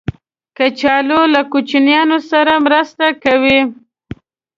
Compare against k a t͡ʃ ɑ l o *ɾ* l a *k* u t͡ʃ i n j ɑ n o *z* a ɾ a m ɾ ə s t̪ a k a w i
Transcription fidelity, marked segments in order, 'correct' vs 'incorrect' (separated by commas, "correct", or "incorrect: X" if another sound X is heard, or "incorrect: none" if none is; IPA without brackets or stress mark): incorrect: none, correct, incorrect: s